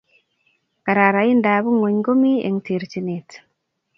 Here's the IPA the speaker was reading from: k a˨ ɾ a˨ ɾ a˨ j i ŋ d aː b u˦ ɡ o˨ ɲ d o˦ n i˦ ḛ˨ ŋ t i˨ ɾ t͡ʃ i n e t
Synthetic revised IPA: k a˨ ɾ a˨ ɾ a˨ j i n d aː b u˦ ŋ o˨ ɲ ɡ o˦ m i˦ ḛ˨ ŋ t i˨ ɾ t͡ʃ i n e t